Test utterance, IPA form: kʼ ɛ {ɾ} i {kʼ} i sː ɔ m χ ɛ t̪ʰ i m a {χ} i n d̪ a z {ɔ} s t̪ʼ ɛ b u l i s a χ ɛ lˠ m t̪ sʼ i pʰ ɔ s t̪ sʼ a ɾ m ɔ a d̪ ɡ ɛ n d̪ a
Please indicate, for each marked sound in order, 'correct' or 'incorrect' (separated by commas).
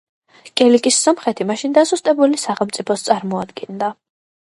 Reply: incorrect, correct, incorrect, incorrect